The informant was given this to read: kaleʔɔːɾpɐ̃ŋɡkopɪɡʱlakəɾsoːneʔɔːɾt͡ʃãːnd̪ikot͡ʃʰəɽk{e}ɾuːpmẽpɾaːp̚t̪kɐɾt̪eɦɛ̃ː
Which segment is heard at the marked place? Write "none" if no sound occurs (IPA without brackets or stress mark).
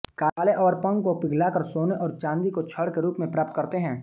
e